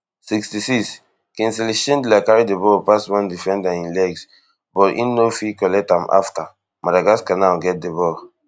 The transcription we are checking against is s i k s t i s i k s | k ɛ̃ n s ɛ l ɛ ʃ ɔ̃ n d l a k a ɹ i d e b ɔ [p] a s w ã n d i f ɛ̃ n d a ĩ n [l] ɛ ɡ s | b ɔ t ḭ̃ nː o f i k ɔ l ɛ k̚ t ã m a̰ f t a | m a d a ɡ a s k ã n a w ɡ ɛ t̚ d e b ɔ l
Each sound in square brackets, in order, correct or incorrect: correct, correct

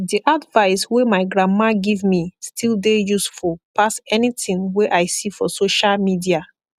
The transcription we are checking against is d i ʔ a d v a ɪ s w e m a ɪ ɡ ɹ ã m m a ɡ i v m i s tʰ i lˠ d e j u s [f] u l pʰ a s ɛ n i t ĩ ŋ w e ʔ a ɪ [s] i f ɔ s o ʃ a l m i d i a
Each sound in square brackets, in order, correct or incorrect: correct, correct

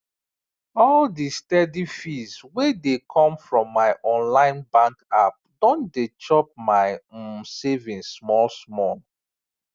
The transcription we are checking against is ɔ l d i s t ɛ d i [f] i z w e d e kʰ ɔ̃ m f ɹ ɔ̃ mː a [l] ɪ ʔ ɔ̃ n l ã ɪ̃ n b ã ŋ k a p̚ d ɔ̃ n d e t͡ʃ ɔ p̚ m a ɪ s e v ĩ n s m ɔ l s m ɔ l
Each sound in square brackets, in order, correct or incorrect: correct, incorrect: none

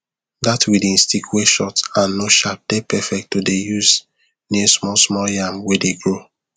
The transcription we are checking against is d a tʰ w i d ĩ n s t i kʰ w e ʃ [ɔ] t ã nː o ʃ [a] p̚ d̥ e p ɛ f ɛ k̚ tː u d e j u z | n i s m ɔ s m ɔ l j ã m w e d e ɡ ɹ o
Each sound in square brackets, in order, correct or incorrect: correct, correct

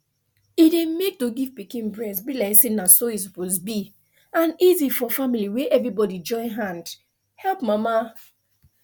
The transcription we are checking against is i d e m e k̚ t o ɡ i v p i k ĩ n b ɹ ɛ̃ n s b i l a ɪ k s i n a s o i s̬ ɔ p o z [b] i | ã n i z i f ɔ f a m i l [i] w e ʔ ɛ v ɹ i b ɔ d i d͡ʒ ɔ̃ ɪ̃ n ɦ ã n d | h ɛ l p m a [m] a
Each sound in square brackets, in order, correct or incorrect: correct, correct, correct

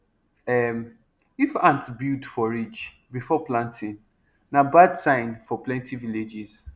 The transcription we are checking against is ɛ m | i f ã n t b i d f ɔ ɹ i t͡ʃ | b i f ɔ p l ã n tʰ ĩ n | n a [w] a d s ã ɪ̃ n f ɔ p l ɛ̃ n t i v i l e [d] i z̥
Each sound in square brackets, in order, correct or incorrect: incorrect: b, incorrect: d͡ʒ

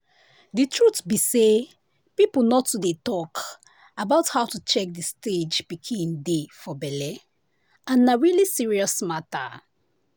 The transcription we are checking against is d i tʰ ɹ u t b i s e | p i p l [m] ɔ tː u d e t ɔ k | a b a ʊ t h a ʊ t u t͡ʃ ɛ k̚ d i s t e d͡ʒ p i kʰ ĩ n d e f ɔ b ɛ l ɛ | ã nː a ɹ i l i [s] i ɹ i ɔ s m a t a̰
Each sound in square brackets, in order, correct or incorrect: incorrect: n, correct

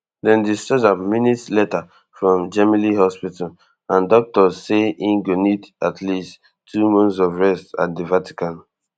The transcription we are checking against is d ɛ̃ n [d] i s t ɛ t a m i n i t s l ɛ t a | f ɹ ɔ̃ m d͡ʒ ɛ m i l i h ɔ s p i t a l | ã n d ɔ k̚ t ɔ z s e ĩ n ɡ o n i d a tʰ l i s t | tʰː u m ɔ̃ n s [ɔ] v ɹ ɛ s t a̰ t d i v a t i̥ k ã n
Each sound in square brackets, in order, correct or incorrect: correct, correct

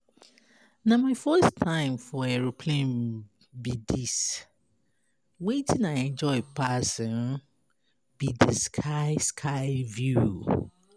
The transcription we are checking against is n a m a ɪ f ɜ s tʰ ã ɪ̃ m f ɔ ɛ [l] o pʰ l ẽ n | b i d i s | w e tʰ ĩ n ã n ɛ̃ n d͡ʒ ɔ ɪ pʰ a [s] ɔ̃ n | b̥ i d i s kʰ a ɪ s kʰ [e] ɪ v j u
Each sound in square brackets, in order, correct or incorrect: incorrect: ɹ, correct, incorrect: a

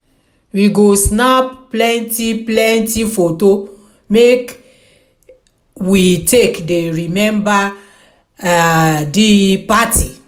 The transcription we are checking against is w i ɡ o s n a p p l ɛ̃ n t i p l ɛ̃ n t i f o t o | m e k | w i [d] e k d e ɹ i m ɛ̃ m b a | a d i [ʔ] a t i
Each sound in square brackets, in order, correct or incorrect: incorrect: t, incorrect: p

